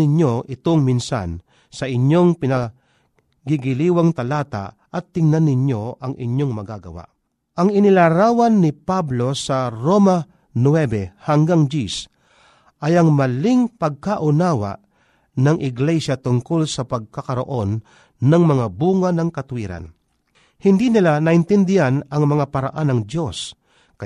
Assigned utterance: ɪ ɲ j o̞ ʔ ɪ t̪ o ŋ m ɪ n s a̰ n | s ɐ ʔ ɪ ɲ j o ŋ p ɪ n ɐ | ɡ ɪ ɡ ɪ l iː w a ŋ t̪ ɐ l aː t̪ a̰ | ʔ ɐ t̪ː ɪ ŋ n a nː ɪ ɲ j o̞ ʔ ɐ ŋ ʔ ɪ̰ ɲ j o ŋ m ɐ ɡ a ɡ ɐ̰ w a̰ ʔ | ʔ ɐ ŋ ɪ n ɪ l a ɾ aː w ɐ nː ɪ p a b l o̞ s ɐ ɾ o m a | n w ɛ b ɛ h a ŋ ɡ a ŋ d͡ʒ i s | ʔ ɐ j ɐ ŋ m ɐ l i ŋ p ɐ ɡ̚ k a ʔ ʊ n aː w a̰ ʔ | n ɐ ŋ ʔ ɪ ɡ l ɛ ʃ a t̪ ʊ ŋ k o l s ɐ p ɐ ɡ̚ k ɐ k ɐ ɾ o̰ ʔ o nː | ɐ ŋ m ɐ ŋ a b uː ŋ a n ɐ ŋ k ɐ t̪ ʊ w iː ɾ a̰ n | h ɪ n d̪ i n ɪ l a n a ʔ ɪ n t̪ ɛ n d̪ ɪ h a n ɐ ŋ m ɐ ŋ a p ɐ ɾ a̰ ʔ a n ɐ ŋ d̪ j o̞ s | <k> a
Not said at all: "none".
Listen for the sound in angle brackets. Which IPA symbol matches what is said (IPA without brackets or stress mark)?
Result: k